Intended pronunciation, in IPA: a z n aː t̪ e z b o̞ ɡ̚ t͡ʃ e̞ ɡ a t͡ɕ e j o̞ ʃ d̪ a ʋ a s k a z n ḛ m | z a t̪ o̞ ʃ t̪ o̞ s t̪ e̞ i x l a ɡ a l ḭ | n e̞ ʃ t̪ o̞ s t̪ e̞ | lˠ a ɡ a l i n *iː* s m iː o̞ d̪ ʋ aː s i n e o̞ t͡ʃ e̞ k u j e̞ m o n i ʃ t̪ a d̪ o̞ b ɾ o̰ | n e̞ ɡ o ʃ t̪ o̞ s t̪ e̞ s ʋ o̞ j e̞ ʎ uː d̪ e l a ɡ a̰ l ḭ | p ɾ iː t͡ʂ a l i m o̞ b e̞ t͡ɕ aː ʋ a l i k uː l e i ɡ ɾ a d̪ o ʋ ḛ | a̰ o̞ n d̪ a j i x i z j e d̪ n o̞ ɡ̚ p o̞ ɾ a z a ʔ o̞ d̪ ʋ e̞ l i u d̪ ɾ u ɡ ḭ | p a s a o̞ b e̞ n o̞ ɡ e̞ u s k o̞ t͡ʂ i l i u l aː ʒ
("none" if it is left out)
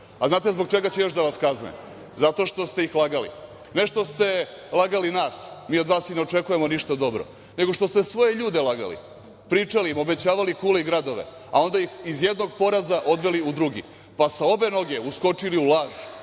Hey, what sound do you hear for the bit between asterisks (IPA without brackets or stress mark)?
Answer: aː